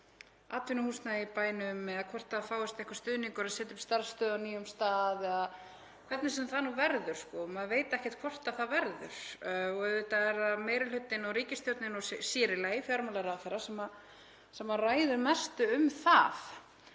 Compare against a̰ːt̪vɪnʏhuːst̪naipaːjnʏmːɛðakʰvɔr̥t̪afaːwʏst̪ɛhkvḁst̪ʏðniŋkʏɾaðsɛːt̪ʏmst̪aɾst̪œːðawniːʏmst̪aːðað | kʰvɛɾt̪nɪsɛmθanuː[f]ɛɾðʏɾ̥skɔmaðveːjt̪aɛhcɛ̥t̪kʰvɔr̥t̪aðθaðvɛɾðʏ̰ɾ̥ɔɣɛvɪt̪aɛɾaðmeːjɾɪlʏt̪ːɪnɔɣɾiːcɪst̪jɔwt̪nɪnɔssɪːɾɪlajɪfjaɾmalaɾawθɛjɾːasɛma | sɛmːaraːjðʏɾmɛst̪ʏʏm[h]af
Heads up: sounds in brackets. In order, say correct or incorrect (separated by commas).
incorrect, incorrect